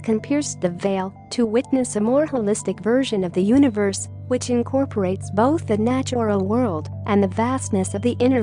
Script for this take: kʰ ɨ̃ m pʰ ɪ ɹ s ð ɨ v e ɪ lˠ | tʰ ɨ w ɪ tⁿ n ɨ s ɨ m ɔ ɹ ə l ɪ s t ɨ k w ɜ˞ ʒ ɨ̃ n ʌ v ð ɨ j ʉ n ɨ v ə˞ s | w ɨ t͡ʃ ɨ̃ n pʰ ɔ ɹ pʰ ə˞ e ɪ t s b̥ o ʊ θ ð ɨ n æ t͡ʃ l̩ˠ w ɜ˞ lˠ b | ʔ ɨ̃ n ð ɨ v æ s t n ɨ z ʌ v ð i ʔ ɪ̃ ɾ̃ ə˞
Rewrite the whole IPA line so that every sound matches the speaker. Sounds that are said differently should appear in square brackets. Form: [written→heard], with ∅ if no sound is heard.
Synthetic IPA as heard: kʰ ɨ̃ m pʰ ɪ ɹ s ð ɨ v e ɪ lˠ | tʰ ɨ w ɪ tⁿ n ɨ s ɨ m ɔ ɹ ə l ɪ s t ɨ k [w→v] ɜ˞ ʒ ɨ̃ n ʌ v ð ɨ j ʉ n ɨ v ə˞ s | w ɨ t͡ʃ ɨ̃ n [pʰ→kʰ] ɔ ɹ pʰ ə˞ e ɪ t s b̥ o ʊ θ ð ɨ n æ t͡ʃ l̩ˠ w ɜ˞ lˠ [b→d] | ʔ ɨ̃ n ð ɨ v æ s t n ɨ [z→s] ʌ v ð i ʔ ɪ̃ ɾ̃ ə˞